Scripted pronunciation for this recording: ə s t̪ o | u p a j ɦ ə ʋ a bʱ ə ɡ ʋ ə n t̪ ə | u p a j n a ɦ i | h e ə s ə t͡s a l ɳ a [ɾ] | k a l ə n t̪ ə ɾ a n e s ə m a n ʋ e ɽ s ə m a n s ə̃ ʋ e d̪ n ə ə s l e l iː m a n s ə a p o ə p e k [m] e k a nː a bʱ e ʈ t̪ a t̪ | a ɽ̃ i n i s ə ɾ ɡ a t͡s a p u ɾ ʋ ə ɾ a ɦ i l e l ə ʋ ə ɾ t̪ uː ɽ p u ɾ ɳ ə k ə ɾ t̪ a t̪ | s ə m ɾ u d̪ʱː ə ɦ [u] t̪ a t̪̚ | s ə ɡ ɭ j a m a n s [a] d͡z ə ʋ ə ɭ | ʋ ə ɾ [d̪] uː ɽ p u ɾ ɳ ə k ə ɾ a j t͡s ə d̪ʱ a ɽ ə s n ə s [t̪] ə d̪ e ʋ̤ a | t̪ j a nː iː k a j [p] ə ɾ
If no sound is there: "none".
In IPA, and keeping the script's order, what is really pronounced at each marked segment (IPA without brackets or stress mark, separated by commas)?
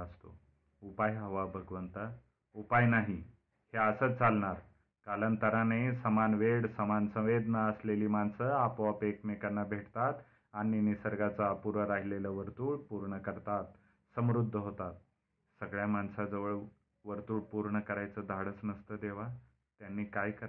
ɾ, m, o, a, t̪, t̪, k